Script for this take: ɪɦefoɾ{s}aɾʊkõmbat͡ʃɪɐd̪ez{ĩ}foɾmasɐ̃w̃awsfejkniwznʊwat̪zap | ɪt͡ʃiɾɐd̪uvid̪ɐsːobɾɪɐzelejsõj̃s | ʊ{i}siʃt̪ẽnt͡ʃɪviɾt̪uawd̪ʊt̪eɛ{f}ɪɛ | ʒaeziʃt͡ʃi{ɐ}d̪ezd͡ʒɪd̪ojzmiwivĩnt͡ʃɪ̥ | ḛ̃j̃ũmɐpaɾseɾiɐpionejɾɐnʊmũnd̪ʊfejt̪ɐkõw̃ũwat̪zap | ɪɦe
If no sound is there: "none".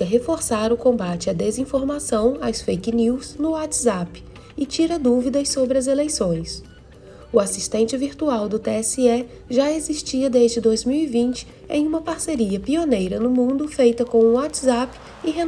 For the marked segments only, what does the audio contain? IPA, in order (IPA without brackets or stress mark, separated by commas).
s, ĩ, a, s, ɐ